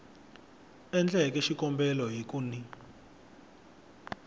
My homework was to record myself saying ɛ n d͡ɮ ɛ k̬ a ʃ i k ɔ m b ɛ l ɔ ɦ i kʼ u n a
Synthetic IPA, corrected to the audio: ɛ n d͡ɮ ɛ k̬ ɛ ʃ i k ɔ m b ɛ l ɔ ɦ i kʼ u n i

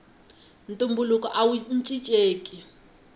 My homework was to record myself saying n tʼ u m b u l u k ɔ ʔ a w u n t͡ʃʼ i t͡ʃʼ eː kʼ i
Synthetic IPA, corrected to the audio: n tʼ u m b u l u k ɔ ʔ a w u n t͡ʃʼ i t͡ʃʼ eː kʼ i

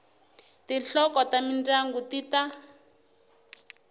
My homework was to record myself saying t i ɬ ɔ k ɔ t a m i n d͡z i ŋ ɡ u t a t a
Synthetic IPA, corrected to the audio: t i ɬ ɔ k ɔ t a m i n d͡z a ŋ ɡ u t i t a

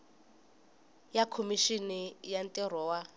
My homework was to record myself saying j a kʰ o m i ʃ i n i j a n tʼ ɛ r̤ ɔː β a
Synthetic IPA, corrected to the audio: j a kʰ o m i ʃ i n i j a n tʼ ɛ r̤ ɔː w a

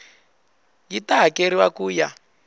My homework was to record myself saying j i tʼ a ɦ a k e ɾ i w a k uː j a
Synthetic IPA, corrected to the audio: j i t a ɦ a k e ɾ i w a k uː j a

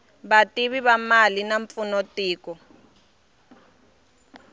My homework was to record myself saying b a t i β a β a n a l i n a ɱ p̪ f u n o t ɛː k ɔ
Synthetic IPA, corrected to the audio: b a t i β i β a m a l i n a ɱ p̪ f u n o t iː k ɔ

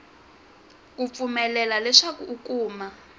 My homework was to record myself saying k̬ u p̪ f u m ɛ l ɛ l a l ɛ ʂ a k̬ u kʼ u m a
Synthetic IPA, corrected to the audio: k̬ u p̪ f u m ɛ l ɛ l a l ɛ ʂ a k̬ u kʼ uː m a

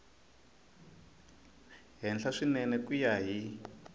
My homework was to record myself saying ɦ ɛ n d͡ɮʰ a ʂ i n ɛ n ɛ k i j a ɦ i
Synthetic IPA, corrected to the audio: ɦ ɛ n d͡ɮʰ a ʂ i n ɛ n ɛ k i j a ɦ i

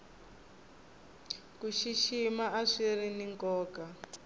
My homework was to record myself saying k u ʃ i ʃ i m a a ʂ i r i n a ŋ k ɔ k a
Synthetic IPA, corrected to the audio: k u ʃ i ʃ i m a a ʂ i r i n i ŋ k ɔː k a

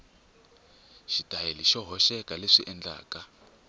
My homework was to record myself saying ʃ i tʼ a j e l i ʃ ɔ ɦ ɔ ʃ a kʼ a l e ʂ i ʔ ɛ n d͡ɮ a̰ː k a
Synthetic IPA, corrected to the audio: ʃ i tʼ a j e l i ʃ ɔ ɦ ɔ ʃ ɛ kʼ a l e ʂ i ʔ ɛ n d͡ɮ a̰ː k a

